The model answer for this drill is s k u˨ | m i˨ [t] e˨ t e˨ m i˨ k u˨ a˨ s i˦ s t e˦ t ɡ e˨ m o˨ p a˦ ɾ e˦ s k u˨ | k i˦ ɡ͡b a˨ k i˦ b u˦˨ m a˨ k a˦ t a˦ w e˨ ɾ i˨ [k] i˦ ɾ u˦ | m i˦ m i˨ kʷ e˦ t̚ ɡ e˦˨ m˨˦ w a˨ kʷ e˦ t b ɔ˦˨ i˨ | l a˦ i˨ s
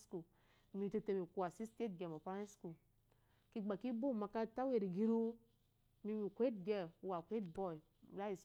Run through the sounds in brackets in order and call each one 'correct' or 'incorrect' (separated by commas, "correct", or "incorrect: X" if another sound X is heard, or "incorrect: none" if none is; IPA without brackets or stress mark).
correct, incorrect: ɡ